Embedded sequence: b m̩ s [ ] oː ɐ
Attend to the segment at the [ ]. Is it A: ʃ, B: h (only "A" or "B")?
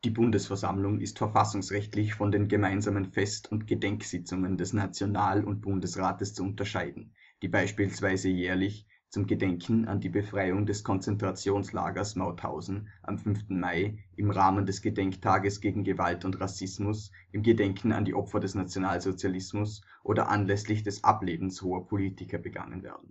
B